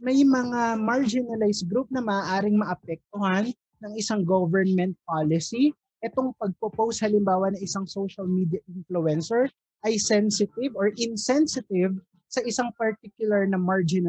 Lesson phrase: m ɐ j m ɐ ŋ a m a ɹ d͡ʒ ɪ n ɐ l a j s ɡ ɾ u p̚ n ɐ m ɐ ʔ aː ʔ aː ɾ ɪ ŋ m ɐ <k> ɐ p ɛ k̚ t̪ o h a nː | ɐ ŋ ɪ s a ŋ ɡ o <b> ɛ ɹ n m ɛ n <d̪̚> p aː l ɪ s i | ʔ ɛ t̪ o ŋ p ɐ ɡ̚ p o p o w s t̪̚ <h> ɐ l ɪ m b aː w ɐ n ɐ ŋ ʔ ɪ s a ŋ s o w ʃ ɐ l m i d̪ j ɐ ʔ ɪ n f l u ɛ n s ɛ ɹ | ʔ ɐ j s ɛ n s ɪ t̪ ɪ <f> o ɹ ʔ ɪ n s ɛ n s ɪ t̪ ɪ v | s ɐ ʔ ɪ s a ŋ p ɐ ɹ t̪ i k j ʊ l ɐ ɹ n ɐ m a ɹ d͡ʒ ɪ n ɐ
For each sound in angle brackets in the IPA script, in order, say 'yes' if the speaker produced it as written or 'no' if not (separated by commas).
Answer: no, no, no, yes, no